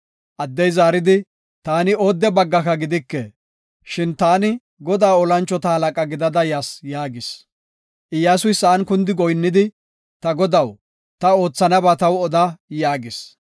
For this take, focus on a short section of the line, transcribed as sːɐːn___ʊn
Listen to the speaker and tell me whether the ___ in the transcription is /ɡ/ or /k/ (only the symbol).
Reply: k